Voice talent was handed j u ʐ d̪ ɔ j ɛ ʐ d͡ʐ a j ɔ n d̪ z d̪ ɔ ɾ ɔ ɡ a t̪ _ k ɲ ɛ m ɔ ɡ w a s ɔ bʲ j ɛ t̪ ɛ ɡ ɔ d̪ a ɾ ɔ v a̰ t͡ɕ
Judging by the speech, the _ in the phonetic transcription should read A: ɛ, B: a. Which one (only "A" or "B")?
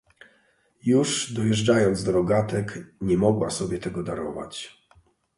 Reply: A